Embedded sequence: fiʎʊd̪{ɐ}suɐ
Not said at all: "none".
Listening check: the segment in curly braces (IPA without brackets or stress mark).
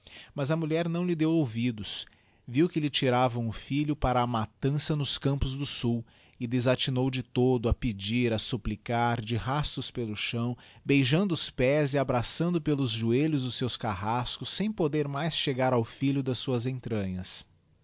ɐ